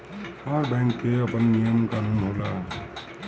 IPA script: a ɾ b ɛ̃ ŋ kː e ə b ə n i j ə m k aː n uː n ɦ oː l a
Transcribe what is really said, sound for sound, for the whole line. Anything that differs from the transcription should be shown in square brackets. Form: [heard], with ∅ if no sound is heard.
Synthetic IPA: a ɾ b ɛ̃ ŋ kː e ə [p] ə [nː] i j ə m k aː n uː n ɦ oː l a